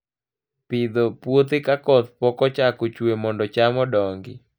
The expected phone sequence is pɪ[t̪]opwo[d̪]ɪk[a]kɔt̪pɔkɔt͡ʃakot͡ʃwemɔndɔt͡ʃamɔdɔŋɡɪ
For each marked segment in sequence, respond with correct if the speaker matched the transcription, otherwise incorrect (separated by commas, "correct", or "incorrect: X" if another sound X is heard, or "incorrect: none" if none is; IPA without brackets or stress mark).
incorrect: d̪, incorrect: t̪, correct